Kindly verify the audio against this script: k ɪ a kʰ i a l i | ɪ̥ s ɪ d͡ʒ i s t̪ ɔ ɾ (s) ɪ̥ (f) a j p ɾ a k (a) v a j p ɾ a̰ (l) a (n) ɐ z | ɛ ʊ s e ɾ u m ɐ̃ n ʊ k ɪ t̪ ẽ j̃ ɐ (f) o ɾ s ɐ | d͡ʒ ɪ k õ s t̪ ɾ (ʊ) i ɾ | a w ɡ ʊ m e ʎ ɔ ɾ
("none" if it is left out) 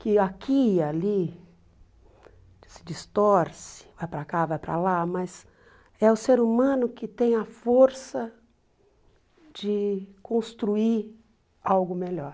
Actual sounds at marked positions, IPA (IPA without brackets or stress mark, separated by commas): s, v, a, l, m, f, u